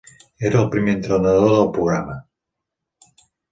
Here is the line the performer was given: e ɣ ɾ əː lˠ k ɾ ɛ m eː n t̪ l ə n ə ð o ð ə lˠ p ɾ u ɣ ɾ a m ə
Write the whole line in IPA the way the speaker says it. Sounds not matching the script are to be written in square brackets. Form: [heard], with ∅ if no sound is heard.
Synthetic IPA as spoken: e [∅] ɾ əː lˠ [p] ɾ [i] m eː n t̪ [ɾ] ə n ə ð o ð ə lˠ p ɾ u ɣ ɾ a m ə